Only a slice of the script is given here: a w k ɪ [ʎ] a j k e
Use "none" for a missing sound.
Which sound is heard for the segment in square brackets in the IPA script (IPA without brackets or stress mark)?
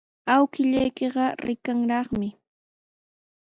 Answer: ʎ